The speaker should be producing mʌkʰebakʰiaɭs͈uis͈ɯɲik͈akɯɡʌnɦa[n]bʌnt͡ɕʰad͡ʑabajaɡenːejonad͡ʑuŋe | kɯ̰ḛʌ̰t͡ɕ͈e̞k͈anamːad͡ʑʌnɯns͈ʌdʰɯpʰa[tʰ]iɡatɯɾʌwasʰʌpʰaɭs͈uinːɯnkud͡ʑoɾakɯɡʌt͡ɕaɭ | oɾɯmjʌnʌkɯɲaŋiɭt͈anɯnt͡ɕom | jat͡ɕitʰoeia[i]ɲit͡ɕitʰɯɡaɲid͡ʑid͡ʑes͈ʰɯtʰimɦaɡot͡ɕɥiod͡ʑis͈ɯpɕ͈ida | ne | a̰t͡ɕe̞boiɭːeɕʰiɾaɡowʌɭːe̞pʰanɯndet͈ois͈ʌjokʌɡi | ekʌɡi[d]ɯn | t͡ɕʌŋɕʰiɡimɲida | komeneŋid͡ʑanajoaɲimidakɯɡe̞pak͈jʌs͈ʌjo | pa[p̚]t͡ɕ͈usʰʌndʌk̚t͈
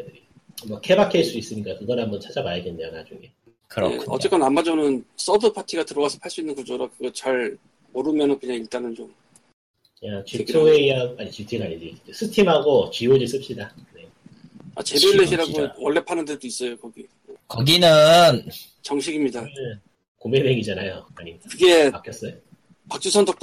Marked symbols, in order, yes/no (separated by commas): no, yes, no, no, no